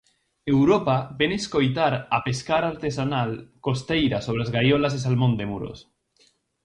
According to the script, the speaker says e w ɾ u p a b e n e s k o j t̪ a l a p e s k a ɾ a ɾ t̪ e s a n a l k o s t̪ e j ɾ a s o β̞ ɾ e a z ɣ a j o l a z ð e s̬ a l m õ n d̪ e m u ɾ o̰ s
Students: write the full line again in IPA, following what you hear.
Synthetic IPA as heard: e w ɾ o p a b e n e s k o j t̪ a ɾ a p e s k a ɾ a ɾ t̪ e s a n a l k o s t̪ e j ɾ a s o β̞ ɾ e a z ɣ a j o l a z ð e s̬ a l m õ n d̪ e m u ɾ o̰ s